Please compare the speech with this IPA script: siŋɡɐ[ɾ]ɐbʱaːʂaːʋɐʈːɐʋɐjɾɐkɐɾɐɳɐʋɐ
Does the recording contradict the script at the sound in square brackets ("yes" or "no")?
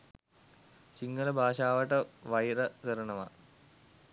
yes